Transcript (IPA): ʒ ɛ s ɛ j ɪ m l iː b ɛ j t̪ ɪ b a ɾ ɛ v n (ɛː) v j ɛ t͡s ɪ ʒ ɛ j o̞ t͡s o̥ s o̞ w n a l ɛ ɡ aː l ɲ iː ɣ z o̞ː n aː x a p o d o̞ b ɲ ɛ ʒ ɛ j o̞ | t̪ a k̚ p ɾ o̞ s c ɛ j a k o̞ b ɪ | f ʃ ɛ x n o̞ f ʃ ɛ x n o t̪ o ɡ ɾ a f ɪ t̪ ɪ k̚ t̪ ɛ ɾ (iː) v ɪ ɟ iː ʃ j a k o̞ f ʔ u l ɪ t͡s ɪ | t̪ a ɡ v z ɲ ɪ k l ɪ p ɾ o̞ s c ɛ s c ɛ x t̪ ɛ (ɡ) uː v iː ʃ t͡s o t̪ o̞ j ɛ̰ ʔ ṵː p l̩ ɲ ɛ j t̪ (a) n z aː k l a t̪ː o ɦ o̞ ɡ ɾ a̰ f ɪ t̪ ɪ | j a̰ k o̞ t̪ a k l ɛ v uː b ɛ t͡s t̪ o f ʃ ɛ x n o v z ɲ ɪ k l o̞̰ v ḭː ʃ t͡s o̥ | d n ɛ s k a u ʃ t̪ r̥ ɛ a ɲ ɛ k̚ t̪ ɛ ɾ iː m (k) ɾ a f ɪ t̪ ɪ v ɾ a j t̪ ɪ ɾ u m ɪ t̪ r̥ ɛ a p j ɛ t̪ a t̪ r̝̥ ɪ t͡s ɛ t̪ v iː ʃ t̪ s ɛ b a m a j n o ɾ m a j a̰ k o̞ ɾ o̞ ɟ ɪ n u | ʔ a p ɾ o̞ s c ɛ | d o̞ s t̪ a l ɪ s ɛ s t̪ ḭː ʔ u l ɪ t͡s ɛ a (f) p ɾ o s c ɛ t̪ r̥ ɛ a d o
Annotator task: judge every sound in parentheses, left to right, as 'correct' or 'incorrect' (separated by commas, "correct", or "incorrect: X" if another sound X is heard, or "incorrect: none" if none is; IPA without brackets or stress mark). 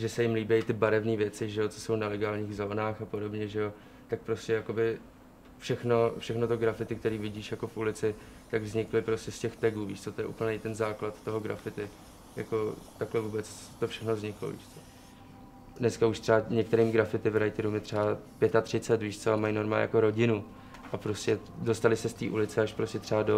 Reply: incorrect: iː, correct, correct, incorrect: ɛ, incorrect: ɡ, incorrect: ʃ